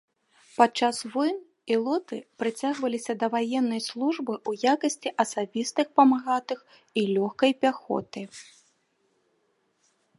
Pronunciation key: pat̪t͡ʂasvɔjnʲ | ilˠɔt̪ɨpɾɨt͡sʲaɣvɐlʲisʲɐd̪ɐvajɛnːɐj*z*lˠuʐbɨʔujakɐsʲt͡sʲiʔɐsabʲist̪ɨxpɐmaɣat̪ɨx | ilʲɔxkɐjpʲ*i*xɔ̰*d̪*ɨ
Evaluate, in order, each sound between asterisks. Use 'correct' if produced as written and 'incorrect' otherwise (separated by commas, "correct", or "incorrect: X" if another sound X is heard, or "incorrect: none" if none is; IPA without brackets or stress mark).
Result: incorrect: s, incorrect: a, incorrect: t̪